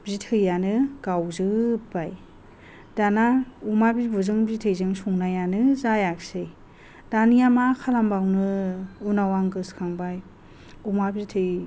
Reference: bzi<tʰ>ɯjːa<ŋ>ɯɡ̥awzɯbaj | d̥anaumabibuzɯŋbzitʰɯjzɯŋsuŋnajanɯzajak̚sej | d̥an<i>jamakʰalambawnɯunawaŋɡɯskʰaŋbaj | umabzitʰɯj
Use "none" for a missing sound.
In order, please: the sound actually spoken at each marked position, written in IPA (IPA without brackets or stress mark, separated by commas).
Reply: tʰ, n, i